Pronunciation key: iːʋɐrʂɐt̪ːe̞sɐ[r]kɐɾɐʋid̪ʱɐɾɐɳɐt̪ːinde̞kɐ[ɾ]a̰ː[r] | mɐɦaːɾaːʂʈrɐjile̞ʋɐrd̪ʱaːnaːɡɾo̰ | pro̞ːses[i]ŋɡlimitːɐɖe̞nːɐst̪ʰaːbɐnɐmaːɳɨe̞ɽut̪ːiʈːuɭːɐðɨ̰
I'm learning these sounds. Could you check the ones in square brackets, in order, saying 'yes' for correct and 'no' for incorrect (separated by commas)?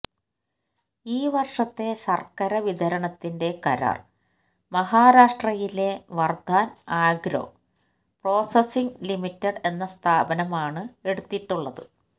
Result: yes, yes, yes, yes